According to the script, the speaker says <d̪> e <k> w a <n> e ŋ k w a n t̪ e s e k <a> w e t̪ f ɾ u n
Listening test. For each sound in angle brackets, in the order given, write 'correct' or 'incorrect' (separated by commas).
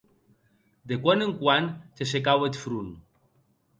correct, correct, correct, correct